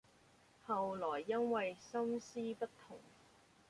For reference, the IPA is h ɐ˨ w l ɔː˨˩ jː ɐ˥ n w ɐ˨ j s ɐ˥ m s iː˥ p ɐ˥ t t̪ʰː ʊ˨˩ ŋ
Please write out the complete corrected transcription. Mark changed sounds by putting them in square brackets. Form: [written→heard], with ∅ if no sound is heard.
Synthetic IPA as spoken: h ɐ˨ w l ɔː˨˩ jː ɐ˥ n w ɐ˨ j s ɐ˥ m s iː˥ p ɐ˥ t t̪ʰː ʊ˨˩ ŋ